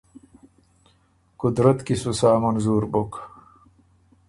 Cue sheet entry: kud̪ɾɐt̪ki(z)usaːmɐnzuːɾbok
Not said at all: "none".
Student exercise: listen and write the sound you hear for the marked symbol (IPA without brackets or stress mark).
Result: s